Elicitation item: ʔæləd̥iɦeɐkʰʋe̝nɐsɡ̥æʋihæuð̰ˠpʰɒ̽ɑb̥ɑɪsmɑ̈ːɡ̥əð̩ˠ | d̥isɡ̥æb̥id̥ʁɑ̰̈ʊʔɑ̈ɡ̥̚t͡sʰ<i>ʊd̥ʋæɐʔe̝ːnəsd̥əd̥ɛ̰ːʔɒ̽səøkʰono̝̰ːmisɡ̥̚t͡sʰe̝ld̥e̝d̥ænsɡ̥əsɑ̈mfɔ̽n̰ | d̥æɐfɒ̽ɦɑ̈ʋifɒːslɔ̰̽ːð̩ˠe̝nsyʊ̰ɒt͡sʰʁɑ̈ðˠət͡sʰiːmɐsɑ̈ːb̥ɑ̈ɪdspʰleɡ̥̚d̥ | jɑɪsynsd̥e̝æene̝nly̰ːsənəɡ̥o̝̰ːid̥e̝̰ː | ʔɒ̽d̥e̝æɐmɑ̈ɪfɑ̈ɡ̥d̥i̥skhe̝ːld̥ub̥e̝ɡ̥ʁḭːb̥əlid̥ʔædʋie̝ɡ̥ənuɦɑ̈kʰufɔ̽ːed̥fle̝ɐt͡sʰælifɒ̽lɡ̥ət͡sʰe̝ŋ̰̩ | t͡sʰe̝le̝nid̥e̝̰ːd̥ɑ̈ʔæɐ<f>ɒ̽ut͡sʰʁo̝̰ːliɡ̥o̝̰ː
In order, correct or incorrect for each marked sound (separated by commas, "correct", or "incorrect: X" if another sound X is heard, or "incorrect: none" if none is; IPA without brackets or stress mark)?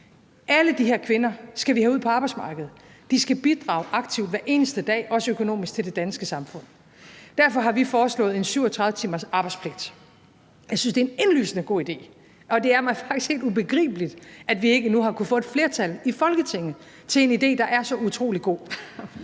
correct, incorrect: s